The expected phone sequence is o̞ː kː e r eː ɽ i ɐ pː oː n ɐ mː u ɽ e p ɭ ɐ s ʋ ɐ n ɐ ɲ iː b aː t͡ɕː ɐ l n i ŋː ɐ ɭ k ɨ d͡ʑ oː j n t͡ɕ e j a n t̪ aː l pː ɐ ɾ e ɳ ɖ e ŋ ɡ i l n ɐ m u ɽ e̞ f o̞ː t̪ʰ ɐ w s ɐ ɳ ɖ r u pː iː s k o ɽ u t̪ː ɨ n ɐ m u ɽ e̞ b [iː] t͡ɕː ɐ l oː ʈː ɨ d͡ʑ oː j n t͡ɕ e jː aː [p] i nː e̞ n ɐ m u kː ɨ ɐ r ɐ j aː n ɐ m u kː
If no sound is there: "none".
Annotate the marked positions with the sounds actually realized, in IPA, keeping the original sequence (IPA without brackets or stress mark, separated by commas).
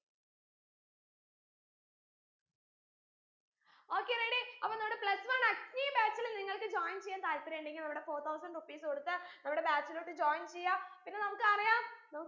aː, p